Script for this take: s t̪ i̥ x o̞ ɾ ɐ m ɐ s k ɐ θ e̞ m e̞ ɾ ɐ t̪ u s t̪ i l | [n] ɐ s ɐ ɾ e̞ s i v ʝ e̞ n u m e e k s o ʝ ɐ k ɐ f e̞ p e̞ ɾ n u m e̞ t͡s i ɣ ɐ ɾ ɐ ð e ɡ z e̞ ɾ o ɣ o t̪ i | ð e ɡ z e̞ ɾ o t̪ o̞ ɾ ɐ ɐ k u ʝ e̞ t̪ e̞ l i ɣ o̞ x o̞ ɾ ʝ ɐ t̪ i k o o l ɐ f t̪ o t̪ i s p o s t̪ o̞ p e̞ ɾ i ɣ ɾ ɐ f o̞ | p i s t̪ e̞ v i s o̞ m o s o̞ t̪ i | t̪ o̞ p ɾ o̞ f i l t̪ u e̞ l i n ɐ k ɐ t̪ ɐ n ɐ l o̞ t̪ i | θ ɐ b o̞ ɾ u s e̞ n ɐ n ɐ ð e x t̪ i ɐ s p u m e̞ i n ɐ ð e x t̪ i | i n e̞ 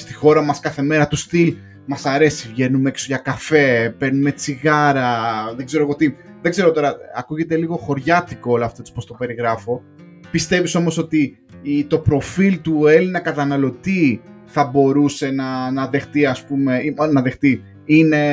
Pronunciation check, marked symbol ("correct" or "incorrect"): incorrect